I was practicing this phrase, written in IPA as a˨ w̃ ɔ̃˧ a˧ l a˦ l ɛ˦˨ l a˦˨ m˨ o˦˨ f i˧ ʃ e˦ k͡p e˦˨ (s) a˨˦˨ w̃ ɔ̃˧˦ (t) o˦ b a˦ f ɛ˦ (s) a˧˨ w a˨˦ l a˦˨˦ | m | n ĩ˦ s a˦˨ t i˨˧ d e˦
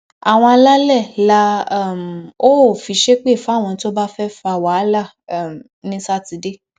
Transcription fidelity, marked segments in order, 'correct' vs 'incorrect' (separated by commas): incorrect, correct, incorrect